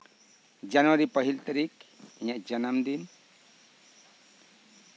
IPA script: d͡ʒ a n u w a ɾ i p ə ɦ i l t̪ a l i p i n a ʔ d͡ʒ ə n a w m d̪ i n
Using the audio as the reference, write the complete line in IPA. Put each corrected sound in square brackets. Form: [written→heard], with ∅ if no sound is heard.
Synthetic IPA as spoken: d͡ʒ a n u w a ɾ i p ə ɦ i l t̪ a [l→ɾ] i [p→k] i [n→ɲ] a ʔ d͡ʒ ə n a [w→∅] m d̪ i n